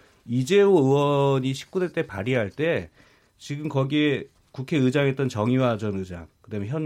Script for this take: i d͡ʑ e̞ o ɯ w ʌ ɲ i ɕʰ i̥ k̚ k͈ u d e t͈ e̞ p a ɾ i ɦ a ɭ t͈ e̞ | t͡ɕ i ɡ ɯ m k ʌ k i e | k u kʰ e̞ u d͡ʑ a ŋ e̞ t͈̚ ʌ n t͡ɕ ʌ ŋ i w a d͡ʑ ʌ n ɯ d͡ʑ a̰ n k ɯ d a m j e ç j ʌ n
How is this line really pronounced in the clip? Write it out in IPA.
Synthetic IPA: i d͡ʑ e̞ o ɯ w ʌ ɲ i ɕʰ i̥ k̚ k͈ u d e t͈ e̞ p a ɾ i ɦ a ɭ t͈ e̞ | t͡ɕ i ɡ ɯ m k ʌ ɡ i e | k u kʰ e̞ ɯ d͡ʑ a ŋ e̞ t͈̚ ʌ n t͡ɕ ʌ ŋ i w a d͡ʑ ʌ n ɯ d͡ʑ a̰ ŋ k ɯ d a m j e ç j ʌ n